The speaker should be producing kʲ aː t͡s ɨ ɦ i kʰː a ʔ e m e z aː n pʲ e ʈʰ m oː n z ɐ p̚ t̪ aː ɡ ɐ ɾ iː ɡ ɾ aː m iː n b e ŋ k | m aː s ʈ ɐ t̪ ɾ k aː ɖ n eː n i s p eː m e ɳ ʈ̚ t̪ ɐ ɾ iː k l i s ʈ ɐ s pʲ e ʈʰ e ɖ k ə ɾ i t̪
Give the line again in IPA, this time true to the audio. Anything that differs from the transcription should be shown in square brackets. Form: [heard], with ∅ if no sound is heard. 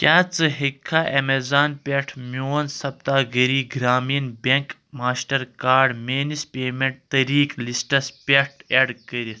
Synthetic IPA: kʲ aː t͡s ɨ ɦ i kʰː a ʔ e m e z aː n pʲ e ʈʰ m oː n [s] ɐ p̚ t̪ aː ɡ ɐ ɾ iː ɡ ɾ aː m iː n b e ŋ k | m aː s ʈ ɐ [∅] ɾ k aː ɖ [m] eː n i s p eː m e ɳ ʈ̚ t̪ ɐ ɾ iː k l i s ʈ ɐ s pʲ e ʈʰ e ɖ k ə ɾ i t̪